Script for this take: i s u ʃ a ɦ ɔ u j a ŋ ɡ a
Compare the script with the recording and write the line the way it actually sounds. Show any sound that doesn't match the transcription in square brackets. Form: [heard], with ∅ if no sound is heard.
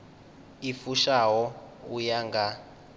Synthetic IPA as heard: i [f] u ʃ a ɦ ɔ u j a ŋ ɡ a